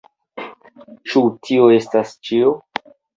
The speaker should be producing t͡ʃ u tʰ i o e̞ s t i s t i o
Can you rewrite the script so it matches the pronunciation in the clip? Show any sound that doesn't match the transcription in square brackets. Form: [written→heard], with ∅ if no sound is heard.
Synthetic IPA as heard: t͡ʃ u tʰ i o e̞ s t [i→a] s [t→t͡ʃ] i o